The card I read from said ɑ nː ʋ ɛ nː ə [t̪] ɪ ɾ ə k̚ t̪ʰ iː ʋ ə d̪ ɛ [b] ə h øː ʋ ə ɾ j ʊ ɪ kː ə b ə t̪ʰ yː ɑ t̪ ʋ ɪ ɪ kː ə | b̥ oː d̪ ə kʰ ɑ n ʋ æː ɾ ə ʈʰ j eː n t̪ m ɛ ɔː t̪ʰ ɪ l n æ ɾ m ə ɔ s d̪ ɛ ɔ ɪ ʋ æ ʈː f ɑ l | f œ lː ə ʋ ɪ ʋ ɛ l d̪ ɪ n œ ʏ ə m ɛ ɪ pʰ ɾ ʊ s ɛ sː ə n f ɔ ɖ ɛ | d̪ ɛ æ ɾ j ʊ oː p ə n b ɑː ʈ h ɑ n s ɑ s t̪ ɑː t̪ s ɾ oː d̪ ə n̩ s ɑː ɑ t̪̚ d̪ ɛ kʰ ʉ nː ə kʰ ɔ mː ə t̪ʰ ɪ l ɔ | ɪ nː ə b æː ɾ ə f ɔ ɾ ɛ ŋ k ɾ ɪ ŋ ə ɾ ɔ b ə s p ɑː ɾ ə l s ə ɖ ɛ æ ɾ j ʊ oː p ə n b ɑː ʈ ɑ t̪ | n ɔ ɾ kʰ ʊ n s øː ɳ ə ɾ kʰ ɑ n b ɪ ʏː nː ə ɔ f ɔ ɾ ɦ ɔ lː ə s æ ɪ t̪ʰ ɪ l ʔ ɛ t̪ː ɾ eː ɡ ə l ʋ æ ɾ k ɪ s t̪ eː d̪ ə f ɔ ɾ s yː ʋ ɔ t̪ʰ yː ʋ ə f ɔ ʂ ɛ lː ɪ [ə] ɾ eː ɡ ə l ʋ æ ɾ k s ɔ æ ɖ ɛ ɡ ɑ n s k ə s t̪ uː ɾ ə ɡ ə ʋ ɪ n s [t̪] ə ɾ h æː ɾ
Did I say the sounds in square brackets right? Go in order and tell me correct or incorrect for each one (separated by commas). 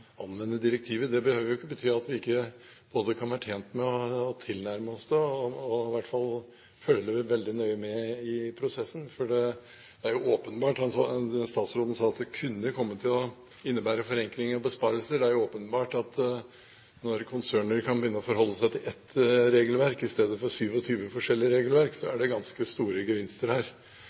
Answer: incorrect, correct, correct, correct